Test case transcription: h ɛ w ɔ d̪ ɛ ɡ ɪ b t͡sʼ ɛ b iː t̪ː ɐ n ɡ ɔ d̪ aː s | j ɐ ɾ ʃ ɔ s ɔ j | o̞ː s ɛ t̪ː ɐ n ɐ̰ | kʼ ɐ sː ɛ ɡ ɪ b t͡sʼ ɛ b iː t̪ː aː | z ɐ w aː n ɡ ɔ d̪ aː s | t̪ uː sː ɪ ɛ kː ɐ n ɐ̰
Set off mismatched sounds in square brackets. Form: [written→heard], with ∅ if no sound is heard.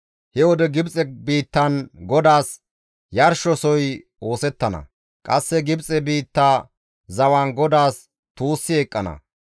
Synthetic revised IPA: h ɛ w ɔ d̪ ɛ ɡ ɪ b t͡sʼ ɛ b iː t̪ː ɐ n ɡ ɔ d̪ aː s | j ɐ ɾ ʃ ɔ s ɔ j | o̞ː s ɛ t̪ː ɐ n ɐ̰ | kʼ ɐ sː ɛ ɡ ɪ b t͡sʼ ɛ b iː t̪ː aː | z ɐ w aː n ɡ ɔ d̪ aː s | t̪ uː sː ɪ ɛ [kː→kʼː] ɐ n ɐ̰